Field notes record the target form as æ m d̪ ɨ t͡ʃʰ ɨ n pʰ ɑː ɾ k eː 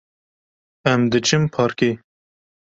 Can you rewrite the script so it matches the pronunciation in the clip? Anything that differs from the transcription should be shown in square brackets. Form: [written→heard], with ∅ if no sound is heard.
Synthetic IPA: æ m d̪ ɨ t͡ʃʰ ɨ [n→m] pʰ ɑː ɾ k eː